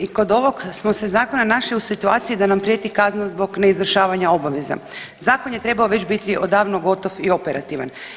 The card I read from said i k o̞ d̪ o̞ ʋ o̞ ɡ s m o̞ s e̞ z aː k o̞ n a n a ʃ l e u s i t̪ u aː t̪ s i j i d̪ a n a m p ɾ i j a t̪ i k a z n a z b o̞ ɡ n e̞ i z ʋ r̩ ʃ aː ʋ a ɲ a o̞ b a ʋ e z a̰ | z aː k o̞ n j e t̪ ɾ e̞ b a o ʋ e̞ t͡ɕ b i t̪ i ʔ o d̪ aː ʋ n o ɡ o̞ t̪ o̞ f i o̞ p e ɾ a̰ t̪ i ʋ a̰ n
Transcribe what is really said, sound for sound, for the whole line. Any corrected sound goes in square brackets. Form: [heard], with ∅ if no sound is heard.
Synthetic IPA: i k o̞ d̪ o̞ ʋ o̞ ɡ s m o̞ s e̞ z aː k o̞ n a n a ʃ l [i] u s i t̪ u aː t̪ s i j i d̪ a n a m p ɾ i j [e] t̪ i k a z n a z b o̞ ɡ n e̞ i z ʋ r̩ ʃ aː ʋ a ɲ a o̞ b a ʋ e z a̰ | z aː k o̞ n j e t̪ ɾ e̞ b a o ʋ e̞ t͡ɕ b i t̪ i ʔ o d̪ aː ʋ n o ɡ o̞ t̪ o̞ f i o̞ p e ɾ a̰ t̪ i ʋ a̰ n